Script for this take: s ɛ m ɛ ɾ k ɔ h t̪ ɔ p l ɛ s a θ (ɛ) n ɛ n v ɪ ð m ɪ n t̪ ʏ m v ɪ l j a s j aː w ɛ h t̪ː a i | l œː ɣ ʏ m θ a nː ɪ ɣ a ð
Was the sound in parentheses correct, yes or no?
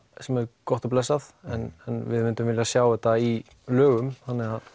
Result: yes